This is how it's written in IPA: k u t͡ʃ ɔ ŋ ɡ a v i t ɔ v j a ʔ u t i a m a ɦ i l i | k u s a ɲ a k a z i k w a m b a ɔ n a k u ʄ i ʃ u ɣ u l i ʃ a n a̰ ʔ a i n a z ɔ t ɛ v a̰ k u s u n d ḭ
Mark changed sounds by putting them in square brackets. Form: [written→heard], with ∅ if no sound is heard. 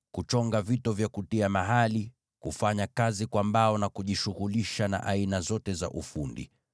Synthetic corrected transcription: k u t͡ʃ ɔ ŋ ɡ a v i t ɔ v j a [ʔ→k] u t i a m a ɦ [i→a] l i | k u [s→f] a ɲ a k a z i k w a m b a ɔ n a k u ʄ i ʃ u ɣ u l i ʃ a n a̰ ʔ a i n a z ɔ t ɛ [v→z] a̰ [k→ʔ] u [s→f] u n d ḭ

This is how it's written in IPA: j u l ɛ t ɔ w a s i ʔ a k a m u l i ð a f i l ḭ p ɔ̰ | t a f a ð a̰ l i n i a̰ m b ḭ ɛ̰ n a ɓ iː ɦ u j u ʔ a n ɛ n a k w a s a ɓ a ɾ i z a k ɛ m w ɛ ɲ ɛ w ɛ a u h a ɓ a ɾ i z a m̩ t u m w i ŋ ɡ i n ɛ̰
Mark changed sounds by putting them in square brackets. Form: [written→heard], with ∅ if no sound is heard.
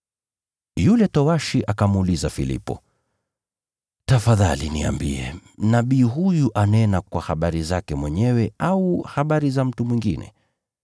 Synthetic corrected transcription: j u l ɛ t ɔ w a [s→ʃ] i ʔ a k a m u l i [ð→z] a f i l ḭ p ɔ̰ | t a f a ð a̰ l i n i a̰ m b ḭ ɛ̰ n a ɓ iː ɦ u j u ʔ a n ɛ n a k w a [s→h] a ɓ a ɾ i z a k ɛ m w ɛ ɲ ɛ w ɛ a u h a ɓ a ɾ i z a m̩ t u m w i ŋ ɡ i n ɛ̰

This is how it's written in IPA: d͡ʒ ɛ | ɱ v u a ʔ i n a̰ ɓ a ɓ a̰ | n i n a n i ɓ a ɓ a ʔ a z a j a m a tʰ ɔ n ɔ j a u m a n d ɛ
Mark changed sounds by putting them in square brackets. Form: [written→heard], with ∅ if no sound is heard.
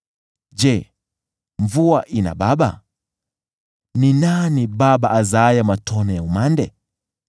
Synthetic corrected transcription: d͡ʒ ɛ | ɱ v u a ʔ i n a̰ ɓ a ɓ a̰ | n i n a n i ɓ a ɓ a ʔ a z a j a m a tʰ ɔ n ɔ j a u m a n d ɛ

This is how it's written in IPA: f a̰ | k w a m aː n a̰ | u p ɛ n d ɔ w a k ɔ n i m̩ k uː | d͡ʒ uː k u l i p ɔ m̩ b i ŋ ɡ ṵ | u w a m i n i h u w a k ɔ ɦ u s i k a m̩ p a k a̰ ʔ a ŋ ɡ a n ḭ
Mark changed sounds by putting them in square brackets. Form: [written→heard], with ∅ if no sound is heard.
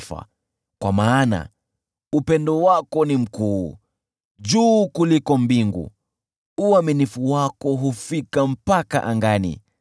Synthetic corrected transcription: f a̰ | k w a m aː n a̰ | u p ɛ n d ɔ w a k ɔ n i m̩ k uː | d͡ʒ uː k u l i [p→k] ɔ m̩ b i ŋ ɡ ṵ | u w a m i n i [h→f] u w a k ɔ ɦ u [s→f] i k a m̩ p a k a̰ ʔ a ŋ ɡ a n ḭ

